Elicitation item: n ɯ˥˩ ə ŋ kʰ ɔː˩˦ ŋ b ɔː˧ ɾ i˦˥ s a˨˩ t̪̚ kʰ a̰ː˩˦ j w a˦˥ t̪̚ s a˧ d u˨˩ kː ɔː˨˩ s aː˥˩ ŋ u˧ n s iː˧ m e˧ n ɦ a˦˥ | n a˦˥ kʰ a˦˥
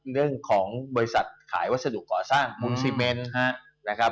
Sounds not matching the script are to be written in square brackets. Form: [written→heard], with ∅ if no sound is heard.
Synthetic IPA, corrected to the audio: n ɯ˥˩ ə ŋ kʰ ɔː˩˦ ŋ b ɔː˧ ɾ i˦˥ s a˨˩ t̪̚ kʰ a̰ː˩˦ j w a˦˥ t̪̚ s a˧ d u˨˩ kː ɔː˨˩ s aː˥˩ ŋ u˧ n s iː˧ m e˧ n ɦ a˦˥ | n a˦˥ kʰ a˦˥